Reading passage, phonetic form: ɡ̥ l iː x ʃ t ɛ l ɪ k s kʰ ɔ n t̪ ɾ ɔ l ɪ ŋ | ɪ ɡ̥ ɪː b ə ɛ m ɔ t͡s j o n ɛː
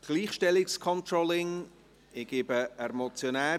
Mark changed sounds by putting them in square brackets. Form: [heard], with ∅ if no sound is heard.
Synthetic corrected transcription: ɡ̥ l iː [χ] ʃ t ɛ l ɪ k s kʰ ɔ n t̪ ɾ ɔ l ɪ ŋ | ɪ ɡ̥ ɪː b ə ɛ m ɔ t͡s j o n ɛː